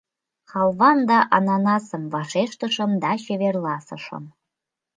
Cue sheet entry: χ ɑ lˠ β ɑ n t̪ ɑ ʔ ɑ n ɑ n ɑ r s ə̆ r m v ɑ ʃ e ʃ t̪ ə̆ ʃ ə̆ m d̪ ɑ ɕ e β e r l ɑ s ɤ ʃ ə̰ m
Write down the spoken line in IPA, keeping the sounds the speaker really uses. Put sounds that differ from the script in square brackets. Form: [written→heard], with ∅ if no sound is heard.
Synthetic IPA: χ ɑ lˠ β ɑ n [t̪→d̪] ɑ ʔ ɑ n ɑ n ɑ [r→∅] s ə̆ [r→∅] m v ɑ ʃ e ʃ t̪ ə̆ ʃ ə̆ m d̪ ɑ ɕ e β e r l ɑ s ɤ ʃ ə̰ m